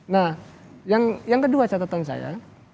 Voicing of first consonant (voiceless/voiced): voiced